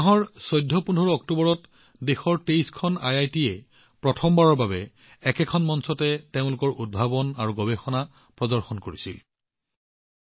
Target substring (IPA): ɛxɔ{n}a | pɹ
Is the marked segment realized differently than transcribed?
no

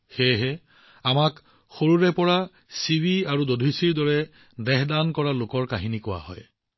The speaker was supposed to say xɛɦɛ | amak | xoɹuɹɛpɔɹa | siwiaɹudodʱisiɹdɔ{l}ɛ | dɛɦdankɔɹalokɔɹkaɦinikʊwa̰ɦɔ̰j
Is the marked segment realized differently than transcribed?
yes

